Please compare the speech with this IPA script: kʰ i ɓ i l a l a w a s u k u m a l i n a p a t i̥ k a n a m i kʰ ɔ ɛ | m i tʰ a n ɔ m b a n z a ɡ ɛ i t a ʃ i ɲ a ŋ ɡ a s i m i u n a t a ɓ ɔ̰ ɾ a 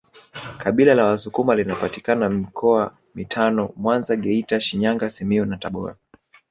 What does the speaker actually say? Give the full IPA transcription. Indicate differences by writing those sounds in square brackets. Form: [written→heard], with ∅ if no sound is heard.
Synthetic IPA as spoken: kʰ [i→a] ɓ i l a l a w a s u k u m a l i n a p a t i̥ k a n a m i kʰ ɔ [ɛ→a] | m i tʰ a n ɔ m [b→w] a n z a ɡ ɛ i t a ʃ i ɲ a ŋ ɡ a s i m i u n a t a ɓ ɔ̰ ɾ a